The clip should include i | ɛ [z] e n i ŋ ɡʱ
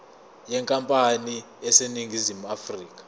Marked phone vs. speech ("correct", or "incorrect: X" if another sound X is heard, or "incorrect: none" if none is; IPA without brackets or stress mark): incorrect: s